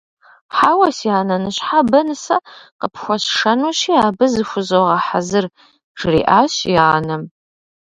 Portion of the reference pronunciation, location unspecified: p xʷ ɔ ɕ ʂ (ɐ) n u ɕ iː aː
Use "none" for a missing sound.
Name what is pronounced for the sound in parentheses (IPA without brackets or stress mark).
ɐ